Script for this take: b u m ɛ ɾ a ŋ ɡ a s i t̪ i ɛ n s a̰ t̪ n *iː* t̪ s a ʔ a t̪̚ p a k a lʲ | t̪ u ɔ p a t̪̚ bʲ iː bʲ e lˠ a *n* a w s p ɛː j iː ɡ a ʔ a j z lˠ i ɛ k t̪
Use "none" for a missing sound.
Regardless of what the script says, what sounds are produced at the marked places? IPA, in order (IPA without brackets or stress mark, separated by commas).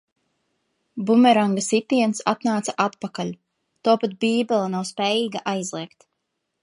aː, n